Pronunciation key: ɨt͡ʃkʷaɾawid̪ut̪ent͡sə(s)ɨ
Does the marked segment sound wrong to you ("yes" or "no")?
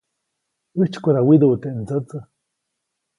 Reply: yes